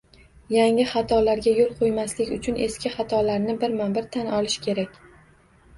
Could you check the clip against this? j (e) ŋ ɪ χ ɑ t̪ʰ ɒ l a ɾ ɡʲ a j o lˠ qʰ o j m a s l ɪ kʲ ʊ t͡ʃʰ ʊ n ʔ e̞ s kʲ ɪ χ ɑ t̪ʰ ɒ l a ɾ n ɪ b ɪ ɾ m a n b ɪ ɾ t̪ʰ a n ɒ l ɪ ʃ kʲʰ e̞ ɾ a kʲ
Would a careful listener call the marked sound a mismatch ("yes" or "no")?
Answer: yes